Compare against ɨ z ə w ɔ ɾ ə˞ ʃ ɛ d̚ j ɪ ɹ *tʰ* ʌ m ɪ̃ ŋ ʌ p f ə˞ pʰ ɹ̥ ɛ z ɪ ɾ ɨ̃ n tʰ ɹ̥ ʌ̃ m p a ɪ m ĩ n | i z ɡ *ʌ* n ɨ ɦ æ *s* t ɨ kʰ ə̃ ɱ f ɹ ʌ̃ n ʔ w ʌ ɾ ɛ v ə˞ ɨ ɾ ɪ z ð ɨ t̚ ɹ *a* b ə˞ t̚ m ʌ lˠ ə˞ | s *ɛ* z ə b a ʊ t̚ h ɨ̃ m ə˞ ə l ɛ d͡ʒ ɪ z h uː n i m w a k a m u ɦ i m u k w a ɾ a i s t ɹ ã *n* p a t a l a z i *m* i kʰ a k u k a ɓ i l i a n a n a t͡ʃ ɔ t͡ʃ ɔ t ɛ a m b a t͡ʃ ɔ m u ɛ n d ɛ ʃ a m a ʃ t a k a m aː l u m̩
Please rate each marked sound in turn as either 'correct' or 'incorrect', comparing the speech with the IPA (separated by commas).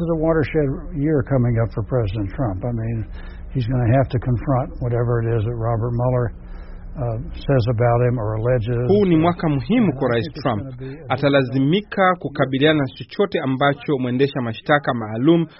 incorrect, correct, incorrect, incorrect, correct, incorrect, correct